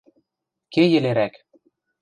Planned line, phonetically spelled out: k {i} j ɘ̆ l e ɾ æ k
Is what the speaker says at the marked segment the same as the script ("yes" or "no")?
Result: no